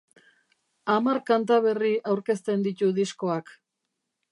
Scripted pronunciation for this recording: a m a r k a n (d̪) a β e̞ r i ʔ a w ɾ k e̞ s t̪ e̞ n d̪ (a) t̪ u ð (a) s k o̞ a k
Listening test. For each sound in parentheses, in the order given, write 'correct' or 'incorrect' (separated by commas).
incorrect, incorrect, incorrect